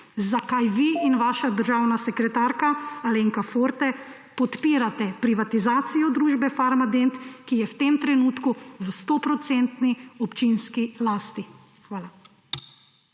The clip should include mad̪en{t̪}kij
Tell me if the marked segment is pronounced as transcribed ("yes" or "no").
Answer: yes